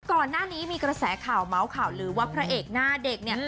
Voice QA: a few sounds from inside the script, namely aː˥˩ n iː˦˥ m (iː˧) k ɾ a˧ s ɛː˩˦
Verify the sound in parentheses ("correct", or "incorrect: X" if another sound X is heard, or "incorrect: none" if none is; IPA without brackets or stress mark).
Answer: correct